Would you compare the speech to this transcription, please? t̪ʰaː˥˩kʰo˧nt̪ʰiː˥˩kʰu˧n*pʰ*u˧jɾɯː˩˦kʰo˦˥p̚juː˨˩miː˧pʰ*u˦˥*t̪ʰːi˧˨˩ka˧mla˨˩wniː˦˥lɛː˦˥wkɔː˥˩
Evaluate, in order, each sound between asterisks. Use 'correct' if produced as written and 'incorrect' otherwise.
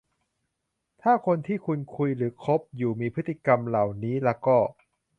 incorrect, incorrect

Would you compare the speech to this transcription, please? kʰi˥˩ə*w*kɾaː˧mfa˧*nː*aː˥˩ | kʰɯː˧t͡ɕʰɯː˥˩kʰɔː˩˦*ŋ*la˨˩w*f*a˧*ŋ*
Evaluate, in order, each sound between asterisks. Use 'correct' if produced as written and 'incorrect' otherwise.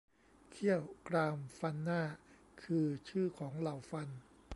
correct, correct, correct, correct, incorrect

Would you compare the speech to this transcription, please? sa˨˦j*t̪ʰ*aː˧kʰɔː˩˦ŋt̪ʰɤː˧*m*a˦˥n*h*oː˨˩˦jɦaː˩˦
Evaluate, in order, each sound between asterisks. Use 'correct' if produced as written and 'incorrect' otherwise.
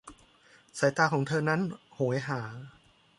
incorrect, incorrect, correct

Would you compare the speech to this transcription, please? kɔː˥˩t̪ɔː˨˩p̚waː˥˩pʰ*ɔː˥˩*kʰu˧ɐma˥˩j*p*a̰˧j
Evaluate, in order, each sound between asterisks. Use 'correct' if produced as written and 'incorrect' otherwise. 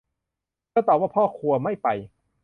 correct, correct

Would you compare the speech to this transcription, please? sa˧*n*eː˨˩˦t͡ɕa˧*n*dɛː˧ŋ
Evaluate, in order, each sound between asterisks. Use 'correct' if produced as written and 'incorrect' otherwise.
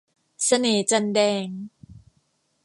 correct, correct

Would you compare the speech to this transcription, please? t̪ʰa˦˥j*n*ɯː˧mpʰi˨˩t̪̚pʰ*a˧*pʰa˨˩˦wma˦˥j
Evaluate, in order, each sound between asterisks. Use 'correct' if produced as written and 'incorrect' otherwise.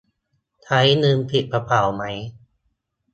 correct, correct

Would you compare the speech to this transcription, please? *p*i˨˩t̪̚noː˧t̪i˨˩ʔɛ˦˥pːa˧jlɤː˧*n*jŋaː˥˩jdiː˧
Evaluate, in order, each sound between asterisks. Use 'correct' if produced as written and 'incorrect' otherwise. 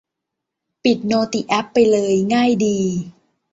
correct, incorrect

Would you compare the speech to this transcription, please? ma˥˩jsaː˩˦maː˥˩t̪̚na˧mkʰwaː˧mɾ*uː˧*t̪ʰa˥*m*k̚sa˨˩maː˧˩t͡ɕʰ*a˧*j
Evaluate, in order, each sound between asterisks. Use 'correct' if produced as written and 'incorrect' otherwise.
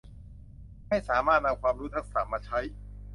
incorrect, incorrect, incorrect

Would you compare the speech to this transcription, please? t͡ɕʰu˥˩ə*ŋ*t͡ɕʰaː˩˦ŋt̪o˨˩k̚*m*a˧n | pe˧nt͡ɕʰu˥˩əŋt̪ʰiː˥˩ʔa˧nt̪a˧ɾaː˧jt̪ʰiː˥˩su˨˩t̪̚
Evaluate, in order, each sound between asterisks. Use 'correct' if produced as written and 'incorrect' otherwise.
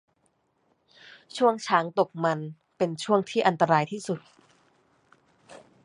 correct, correct

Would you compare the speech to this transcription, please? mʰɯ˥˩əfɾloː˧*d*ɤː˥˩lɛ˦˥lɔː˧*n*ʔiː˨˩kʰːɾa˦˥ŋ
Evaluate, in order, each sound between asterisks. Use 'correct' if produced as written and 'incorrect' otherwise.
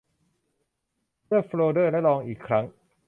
correct, incorrect

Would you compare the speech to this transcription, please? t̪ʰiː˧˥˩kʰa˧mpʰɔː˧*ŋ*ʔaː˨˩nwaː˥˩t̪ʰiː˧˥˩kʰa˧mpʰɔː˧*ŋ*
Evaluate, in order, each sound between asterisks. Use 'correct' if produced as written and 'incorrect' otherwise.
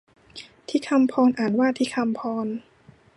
incorrect, incorrect

